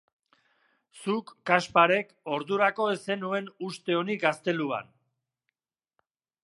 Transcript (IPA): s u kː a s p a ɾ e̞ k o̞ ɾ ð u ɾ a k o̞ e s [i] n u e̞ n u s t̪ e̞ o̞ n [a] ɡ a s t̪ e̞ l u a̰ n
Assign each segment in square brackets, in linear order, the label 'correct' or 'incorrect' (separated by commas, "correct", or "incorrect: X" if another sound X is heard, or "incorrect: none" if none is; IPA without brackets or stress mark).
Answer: incorrect: e, incorrect: i